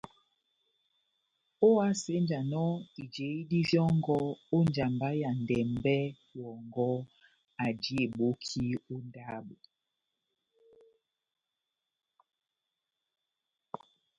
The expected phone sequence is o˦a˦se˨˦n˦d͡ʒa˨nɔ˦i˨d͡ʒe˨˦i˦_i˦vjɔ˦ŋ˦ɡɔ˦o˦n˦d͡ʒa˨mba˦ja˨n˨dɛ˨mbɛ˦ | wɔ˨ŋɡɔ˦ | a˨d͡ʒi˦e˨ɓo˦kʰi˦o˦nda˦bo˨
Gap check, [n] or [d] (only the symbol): d